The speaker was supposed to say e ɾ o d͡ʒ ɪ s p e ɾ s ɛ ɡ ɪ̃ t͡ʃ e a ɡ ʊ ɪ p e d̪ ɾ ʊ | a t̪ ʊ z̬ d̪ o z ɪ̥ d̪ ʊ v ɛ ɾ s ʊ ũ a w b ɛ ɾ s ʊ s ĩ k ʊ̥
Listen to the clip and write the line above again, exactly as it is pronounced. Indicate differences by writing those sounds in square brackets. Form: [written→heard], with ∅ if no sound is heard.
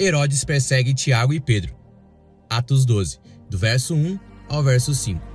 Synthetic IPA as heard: e ɾ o d͡ʒ ɪ s p e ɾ s ɛ ɡ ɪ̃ t͡ʃ [e→i] a ɡ ʊ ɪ p e d̪ ɾ ʊ | a t̪ ʊ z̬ d̪ o z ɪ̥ d̪ ʊ v ɛ ɾ s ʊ ũ a w [b→v] ɛ ɾ s ʊ s ĩ k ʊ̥